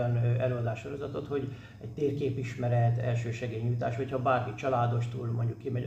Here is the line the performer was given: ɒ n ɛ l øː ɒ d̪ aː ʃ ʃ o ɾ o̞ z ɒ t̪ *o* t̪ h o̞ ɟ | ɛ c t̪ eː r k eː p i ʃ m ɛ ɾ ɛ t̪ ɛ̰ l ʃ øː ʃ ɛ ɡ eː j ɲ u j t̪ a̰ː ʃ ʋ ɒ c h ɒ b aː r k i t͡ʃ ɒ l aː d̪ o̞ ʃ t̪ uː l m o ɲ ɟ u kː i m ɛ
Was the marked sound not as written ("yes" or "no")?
no